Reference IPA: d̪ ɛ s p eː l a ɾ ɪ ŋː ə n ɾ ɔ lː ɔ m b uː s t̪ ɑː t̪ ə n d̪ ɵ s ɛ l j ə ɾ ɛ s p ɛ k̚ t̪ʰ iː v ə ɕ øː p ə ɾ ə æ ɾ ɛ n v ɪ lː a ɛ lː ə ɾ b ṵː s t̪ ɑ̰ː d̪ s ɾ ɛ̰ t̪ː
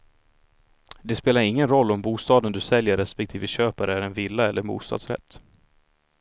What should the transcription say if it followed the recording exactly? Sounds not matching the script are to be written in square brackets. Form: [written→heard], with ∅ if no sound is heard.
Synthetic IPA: d̪ ɛ s p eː l a ɾ ɪ ŋː ə n ɾ ɔ lː ɔ m b uː s t̪ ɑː [t̪→d̪] ə n d̪ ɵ s ɛ l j ə ɾ ɛ s p ɛ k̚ t̪ʰ iː v ə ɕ øː p [ə→a] ɾ ə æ ɾ ɛ n v ɪ lː a ɛ lː ə ɾ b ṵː s t̪ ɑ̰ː d̪ s ɾ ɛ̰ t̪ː

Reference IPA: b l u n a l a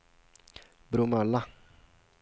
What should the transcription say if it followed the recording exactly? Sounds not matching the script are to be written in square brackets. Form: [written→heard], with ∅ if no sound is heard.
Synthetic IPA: b [l→ɾ] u [n→m] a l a

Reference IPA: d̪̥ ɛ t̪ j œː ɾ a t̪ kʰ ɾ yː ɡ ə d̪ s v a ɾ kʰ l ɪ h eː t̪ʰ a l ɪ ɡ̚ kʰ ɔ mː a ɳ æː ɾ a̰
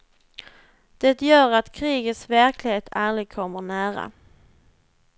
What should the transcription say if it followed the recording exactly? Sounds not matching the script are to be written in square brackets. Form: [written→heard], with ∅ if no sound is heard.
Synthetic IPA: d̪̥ ɛ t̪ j œː ɾ a t̪ kʰ ɾ [yː→iː] ɡ ə [d̪→t̪] s v [a→æ] ɾ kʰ l ɪ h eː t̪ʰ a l ɪ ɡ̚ kʰ ɔ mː [a→ə] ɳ æː ɾ a̰

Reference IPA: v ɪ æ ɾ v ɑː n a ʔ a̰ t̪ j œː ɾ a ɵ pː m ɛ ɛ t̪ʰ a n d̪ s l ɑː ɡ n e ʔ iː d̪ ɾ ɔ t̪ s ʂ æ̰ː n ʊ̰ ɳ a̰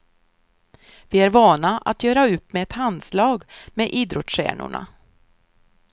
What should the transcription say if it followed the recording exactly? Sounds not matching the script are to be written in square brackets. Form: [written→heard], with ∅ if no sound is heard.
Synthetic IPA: v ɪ æ ɾ v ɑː n a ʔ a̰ t̪ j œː ɾ a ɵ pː m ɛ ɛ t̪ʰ a n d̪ s l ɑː ɡ [n→m] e ʔ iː d̪ ɾ ɔ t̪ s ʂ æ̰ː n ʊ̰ ɳ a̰

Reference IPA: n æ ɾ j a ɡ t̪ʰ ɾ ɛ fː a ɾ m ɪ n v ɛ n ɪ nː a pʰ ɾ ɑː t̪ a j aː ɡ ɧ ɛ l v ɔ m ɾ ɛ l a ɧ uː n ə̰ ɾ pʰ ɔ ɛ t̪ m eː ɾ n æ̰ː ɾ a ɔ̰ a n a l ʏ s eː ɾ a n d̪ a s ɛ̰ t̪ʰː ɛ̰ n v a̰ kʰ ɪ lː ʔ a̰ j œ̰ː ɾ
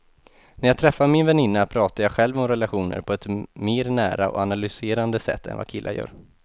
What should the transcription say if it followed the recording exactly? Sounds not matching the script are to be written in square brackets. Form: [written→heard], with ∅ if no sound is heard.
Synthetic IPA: n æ ɾ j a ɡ t̪ʰ ɾ ɛ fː a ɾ m ɪ n v ɛ n ɪ nː a pʰ ɾ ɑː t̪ a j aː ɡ ɧ ɛ l v ɔ m ɾ ɛ l a ɧ uː n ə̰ ɾ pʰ ɔ ɛ t̪ m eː ɾ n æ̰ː ɾ a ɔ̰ a n a l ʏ s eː ɾ a n d̪ [a→ə] s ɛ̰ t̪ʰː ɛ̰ n v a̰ kʰ ɪ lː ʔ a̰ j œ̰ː ɾ

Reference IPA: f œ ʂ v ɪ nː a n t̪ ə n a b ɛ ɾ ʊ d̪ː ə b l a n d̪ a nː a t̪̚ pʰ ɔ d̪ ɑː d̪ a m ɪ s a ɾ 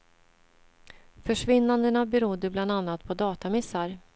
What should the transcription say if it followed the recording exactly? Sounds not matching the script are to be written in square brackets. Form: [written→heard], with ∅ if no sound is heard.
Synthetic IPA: f œ ʂ v ɪ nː a n [t̪→d̪] ə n a b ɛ ɾ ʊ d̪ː ə b l a n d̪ a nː a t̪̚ pʰ ɔ d̪ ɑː [d̪→t̪] a m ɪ s a ɾ

